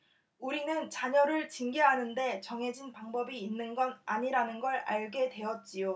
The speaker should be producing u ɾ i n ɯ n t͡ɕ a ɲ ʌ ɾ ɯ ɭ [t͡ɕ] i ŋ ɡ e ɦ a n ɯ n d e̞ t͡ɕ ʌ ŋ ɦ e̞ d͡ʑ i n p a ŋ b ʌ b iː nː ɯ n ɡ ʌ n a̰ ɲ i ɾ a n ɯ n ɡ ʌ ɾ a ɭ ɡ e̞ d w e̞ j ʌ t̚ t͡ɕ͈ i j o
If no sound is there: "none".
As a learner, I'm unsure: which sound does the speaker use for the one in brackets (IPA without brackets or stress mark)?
t͡ɕ